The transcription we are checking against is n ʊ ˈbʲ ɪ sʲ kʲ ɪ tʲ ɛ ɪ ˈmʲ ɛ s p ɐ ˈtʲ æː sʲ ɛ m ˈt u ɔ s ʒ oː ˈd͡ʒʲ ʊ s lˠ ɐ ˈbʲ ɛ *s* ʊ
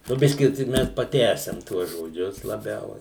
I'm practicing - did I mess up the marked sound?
yes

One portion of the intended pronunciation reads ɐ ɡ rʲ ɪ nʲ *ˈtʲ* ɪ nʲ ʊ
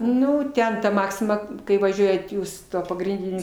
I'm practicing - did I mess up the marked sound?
yes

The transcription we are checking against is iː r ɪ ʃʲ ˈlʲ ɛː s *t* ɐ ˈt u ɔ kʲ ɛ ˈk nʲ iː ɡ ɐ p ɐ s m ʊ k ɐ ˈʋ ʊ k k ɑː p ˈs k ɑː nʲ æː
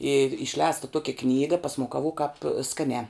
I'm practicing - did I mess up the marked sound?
no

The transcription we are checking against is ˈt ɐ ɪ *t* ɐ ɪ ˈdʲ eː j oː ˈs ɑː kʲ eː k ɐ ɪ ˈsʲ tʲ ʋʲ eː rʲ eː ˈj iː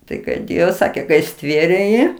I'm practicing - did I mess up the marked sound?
yes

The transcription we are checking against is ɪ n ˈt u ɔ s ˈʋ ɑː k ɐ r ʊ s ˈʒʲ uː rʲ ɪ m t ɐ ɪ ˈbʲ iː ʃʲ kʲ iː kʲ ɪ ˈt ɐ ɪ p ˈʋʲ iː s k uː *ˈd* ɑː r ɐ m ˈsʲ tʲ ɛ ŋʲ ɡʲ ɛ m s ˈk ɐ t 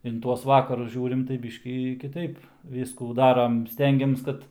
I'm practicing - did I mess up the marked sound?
no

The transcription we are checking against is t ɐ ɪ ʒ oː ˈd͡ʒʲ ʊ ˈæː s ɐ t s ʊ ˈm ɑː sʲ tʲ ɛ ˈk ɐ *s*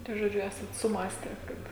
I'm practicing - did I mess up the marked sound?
yes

